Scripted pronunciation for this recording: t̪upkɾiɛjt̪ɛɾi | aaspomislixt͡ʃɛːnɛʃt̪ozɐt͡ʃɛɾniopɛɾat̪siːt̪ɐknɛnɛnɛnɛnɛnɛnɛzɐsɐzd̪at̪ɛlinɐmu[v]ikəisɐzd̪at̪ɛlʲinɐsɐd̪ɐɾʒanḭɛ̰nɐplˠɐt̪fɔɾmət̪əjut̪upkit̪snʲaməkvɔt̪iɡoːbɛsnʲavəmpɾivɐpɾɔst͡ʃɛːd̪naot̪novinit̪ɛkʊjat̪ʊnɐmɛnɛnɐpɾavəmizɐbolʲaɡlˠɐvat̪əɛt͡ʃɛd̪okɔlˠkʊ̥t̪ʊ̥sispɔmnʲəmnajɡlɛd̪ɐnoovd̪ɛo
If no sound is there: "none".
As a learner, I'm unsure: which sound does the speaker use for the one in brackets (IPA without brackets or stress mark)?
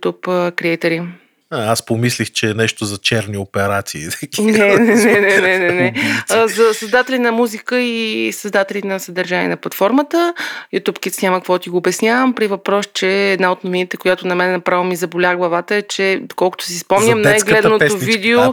z